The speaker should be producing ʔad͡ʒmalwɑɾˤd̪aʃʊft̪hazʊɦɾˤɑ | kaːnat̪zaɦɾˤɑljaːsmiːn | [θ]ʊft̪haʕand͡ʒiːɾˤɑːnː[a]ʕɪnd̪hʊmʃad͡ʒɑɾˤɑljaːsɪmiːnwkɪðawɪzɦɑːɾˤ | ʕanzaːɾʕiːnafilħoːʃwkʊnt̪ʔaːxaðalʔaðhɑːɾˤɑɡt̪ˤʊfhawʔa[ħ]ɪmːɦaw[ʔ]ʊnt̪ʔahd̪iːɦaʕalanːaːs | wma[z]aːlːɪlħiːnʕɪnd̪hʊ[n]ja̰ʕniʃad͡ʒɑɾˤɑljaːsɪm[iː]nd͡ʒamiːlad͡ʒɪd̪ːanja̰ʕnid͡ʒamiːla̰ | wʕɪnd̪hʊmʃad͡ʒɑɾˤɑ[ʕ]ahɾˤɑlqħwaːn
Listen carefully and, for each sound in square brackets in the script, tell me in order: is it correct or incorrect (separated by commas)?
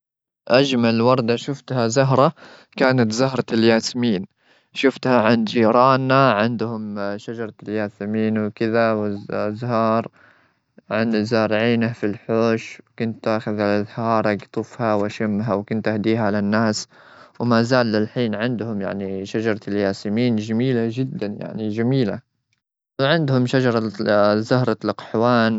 incorrect, correct, incorrect, incorrect, correct, incorrect, correct, incorrect